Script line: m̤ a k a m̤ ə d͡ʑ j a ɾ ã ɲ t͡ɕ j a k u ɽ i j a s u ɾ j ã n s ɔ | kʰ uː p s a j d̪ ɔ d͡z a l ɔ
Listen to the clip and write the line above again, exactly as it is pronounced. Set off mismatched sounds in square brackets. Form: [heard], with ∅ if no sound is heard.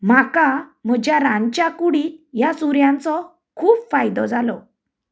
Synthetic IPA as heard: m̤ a k a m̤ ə d͡ʑ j a ɾ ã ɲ t͡ɕ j a k u ɽ i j a s u ɾ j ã n [t͡s] ɔ | kʰ uː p [f] a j d̪ ɔ d͡z a l ɔ